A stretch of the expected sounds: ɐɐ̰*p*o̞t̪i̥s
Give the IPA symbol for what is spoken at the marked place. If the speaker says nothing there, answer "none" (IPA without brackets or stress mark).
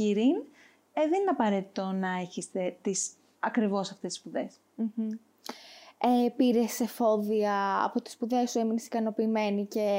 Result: p